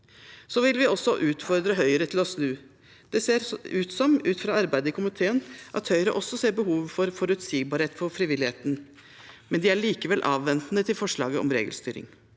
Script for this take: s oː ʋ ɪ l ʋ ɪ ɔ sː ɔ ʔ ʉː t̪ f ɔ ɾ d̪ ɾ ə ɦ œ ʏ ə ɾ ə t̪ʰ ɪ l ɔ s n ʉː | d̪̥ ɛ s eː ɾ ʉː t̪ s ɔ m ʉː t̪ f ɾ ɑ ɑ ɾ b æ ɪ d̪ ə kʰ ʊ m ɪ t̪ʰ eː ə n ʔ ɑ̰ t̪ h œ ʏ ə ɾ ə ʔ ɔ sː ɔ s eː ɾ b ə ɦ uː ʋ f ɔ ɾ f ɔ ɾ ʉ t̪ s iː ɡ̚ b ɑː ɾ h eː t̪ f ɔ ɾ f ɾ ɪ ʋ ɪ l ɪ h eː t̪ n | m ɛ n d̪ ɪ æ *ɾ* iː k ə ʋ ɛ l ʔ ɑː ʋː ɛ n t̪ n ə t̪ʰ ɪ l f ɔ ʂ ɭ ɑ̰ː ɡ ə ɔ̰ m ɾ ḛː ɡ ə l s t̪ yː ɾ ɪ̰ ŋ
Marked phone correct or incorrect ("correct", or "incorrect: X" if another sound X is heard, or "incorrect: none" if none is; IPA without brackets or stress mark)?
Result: incorrect: ɭ